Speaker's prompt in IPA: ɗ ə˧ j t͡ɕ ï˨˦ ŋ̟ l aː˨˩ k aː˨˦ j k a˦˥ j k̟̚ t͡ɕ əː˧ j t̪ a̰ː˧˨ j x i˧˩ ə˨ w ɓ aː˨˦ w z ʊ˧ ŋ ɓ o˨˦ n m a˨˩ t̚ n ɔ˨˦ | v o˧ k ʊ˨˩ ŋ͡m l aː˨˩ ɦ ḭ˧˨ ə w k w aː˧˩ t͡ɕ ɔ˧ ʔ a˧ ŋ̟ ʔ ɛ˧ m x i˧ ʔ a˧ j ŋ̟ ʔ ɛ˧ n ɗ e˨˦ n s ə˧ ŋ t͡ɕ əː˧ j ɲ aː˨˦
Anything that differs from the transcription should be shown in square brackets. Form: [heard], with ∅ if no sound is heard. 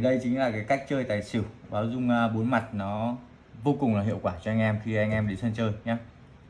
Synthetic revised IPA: ɗ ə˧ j t͡ɕ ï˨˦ ŋ̟ l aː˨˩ k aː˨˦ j k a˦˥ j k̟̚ t͡ɕ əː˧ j t̪ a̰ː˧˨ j [s] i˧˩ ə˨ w ɓ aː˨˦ w z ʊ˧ [ŋ͡m] ɓ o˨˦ n m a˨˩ t̚ n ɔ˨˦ | v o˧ k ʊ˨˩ ŋ͡m l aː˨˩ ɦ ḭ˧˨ ə w k w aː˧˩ t͡ɕ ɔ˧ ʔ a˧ ŋ̟ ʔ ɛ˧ m x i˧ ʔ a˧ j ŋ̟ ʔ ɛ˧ [m] ɗ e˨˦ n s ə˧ [n] t͡ɕ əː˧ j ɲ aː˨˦